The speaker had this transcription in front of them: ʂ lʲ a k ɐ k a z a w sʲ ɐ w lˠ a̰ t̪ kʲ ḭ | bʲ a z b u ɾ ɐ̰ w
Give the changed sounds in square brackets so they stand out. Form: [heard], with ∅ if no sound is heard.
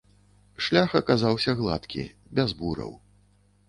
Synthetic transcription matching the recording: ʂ lʲ a [x] ɐ k a z a w sʲ ɐ [ɣ] lˠ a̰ t̪ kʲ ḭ | bʲ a z b u ɾ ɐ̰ w